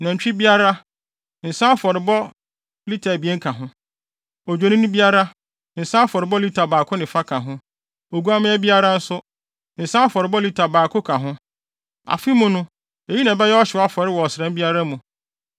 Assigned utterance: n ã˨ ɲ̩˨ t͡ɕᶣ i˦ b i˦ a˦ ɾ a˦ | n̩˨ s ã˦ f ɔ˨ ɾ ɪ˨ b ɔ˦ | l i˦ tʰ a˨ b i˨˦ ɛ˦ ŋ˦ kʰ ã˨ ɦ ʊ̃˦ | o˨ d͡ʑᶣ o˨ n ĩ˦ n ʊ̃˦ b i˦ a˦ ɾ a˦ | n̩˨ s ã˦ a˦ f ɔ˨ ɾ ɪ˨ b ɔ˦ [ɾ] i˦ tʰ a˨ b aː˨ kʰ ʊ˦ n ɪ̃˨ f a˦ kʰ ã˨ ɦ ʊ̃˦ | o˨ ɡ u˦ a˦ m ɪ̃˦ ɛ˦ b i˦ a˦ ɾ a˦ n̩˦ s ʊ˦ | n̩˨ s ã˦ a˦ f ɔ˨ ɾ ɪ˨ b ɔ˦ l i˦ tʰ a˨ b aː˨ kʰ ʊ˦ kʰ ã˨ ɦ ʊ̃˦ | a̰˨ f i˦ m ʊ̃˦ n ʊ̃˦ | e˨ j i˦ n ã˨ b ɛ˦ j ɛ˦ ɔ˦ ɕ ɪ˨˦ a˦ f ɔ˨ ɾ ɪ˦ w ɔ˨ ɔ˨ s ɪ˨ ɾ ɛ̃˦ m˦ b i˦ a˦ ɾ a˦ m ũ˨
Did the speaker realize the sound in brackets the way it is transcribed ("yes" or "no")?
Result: no